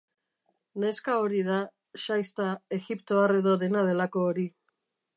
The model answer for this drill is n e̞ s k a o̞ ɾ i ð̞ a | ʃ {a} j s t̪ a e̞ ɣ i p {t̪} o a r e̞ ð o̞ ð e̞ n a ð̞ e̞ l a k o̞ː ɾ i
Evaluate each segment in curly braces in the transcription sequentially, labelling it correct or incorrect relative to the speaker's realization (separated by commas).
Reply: correct, correct